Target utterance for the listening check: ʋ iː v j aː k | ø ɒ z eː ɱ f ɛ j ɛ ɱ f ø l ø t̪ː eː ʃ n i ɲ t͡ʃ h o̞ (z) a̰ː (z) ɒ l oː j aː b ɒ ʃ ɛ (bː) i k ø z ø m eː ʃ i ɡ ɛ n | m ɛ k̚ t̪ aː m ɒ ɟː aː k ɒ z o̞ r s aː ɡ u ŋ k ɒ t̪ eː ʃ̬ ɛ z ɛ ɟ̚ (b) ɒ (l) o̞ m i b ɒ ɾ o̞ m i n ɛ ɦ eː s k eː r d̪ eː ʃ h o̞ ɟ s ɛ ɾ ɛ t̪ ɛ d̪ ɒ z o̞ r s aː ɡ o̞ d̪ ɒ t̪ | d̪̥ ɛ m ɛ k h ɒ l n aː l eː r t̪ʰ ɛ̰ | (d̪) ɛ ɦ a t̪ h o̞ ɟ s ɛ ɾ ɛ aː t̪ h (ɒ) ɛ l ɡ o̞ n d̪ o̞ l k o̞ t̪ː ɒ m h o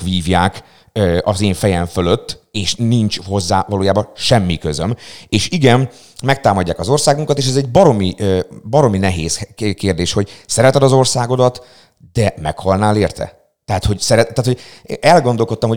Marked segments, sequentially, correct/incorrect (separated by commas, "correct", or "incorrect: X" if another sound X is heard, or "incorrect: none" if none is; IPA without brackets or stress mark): incorrect: zː, incorrect: v, incorrect: mː, correct, incorrect: ɾ, incorrect: t̪, incorrect: o